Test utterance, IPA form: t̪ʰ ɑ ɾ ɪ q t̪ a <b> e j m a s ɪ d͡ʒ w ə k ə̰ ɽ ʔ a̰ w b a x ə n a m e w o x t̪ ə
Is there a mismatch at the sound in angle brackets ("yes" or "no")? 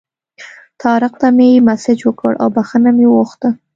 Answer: yes